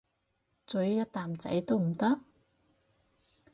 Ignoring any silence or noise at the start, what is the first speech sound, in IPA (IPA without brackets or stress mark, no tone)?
t͡s